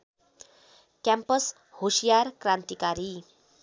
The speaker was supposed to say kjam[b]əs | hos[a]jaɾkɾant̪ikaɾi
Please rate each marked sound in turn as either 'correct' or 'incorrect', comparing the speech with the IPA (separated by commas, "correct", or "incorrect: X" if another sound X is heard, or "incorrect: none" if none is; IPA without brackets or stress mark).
incorrect: p, incorrect: i